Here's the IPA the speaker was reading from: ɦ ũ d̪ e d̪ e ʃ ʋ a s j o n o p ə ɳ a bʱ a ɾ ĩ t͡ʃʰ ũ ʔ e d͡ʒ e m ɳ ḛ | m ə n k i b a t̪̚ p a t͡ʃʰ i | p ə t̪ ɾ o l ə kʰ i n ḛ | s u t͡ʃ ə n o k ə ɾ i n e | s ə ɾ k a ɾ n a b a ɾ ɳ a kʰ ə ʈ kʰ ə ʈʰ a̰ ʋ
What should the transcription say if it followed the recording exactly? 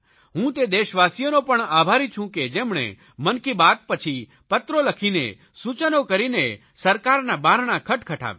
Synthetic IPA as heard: ɦ ũ t̪ e d̪ e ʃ ʋ a s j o n o p ə ɳ a bʱ a ɾ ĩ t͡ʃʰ ũ k e d͡ʒ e m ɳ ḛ | m ə n k i b a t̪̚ p ə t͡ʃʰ i | p ə t̪ ɾ o l ə kʰ i n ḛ | s u t͡ʃ ə n o k ə ɾ i n e | s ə ɾ k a ɾ n a b a ɾ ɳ a kʰ ə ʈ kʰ ə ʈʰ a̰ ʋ